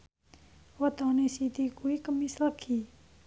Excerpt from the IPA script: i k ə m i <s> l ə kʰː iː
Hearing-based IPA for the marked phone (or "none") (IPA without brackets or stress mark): s